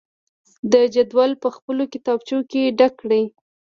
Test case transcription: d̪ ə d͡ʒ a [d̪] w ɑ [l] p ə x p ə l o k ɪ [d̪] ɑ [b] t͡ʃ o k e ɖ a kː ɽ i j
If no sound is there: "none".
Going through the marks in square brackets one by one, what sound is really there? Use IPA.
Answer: d̪, l, t̪, b

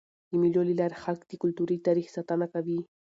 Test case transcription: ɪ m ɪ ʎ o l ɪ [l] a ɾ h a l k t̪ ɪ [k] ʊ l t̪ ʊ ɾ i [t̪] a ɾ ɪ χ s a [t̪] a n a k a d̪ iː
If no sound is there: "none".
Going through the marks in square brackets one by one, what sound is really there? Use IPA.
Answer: l, k, t̪, t̪

